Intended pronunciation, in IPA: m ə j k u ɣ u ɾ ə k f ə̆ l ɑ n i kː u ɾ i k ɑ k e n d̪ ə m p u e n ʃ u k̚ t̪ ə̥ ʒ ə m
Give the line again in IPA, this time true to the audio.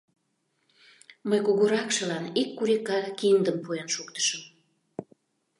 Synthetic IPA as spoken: m ə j k u ɣ u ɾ ɑ k ʃ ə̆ l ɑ n i kː u ɾ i k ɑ k i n d̪ ə m p u e n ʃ u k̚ t̪ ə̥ ʃ ə m